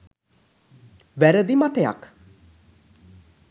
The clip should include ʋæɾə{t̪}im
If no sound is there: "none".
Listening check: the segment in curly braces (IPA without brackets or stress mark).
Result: d̪